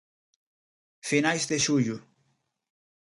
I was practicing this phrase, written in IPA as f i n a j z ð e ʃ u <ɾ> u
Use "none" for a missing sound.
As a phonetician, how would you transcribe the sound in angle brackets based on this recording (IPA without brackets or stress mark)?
ʎ